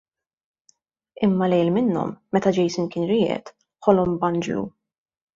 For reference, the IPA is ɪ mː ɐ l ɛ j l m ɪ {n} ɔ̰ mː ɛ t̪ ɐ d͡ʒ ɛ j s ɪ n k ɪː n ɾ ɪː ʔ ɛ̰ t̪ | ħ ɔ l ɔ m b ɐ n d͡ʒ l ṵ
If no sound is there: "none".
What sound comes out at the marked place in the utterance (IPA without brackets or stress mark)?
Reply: nː